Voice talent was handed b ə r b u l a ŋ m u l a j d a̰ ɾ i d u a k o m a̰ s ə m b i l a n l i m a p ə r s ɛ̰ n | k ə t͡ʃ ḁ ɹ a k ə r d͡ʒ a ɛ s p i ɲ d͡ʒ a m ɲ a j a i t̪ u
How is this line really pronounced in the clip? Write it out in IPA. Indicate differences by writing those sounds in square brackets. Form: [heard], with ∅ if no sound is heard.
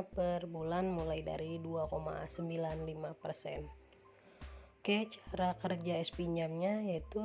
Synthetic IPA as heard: [p] ə r b u l a [n] m u l a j d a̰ ɾ i d u a k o m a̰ s ə m b i l a n l i m a p ə r s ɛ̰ n | k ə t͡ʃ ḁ [ɾ] a k ə r d͡ʒ a ɛ s p i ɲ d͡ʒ a m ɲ a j a i t̪ u